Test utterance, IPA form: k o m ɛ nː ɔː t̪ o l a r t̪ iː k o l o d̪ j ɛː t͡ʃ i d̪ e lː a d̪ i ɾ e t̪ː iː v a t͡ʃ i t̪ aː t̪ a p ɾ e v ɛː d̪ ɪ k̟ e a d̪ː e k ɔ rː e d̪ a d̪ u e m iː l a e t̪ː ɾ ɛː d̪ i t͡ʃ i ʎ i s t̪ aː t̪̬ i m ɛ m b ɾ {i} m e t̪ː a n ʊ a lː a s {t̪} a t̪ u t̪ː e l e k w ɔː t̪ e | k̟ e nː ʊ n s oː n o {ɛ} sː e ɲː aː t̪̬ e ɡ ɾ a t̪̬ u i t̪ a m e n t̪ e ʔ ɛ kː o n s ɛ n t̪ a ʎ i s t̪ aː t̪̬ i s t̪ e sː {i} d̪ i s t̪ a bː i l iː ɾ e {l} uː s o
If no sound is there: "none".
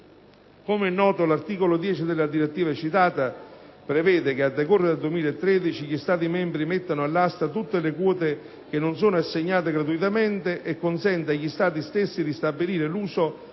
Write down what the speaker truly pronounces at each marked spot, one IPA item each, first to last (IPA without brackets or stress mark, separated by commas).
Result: i, t̪, a, i, l